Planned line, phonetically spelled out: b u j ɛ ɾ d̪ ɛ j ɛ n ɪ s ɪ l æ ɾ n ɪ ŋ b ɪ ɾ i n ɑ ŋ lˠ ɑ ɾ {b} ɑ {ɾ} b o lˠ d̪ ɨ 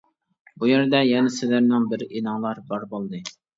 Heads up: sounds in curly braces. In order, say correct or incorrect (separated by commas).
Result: correct, correct